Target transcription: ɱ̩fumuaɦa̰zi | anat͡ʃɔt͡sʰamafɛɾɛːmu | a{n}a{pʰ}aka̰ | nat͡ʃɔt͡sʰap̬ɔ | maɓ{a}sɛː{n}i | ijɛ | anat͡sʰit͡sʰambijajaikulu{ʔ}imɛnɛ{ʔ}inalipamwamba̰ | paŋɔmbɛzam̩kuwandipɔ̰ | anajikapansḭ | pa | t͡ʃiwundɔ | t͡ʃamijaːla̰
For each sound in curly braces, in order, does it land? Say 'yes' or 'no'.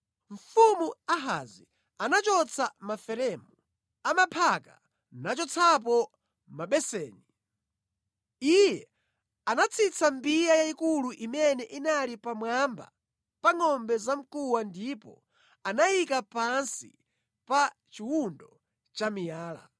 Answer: no, yes, no, yes, yes, yes

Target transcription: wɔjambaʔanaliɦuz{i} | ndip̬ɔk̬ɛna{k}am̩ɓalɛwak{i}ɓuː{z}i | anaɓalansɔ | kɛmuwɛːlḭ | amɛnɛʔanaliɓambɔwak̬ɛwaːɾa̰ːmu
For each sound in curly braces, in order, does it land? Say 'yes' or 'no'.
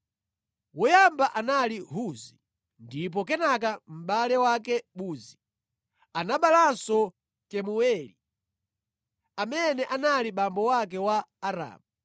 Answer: yes, yes, no, yes

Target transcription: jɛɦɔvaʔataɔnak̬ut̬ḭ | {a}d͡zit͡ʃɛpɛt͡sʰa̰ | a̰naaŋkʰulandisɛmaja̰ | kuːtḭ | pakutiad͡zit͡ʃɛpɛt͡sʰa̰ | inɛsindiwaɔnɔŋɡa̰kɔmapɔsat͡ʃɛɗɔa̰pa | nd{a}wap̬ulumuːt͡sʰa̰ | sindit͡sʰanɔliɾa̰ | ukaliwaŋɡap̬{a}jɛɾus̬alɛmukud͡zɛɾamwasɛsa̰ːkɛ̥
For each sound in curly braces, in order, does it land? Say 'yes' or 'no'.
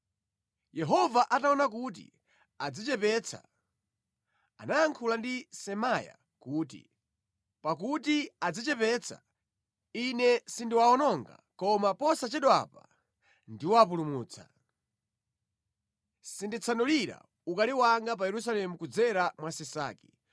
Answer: yes, no, yes

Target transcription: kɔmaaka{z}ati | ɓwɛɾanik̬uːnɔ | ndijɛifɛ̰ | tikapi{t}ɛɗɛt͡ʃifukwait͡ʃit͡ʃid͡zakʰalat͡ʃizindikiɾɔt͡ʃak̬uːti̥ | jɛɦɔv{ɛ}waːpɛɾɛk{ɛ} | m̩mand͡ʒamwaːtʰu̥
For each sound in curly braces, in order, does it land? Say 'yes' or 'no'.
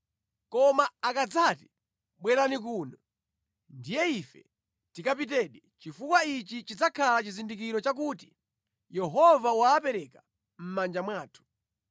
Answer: no, yes, no, no

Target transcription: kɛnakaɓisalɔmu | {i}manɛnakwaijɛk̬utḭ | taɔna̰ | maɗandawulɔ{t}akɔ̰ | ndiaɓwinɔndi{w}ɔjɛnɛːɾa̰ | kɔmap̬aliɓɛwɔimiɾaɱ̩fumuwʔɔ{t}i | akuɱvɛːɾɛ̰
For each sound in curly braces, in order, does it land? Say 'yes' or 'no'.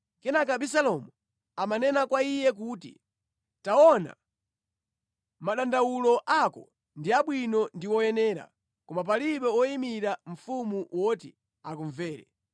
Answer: no, no, yes, yes

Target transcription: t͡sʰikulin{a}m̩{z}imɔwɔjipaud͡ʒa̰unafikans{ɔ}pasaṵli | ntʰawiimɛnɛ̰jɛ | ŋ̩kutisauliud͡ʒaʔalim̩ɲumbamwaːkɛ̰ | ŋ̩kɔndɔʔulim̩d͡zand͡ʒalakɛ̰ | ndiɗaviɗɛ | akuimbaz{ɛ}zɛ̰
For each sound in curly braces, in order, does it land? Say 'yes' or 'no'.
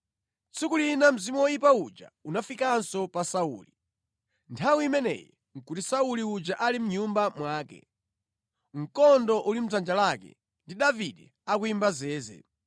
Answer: yes, yes, yes, no

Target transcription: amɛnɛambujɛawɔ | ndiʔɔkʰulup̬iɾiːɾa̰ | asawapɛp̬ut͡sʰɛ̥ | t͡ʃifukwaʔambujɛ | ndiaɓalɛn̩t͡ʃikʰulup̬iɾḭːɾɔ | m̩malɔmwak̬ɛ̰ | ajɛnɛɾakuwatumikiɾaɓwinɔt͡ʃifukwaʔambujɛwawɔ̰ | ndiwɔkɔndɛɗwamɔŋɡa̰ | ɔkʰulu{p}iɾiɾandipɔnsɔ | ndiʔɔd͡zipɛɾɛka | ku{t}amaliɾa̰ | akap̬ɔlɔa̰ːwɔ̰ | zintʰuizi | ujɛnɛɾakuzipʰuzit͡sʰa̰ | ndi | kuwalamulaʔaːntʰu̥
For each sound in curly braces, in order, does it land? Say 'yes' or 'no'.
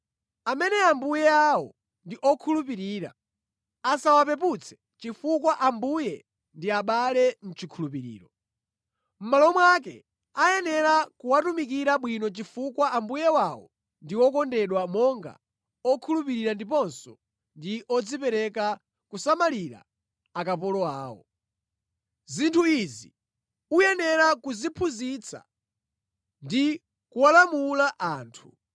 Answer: yes, no

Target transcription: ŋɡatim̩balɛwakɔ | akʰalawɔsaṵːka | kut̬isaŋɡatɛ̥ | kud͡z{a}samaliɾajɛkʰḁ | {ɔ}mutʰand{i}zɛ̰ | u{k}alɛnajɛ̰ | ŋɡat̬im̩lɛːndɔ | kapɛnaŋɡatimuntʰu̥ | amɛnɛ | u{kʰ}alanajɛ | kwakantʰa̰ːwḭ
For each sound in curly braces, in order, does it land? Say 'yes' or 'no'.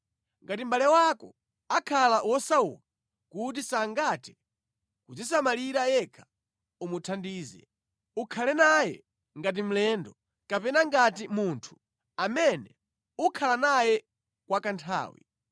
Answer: no, no, no, no, yes

